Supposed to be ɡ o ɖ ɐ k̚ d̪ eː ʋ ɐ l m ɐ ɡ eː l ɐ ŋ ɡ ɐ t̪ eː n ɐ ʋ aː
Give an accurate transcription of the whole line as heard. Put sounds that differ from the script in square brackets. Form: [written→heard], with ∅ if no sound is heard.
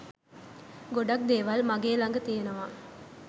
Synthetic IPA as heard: ɡ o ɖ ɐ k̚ d̪ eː ʋ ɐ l m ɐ ɡ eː l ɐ ŋ ɡ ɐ t̪ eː n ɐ ʋ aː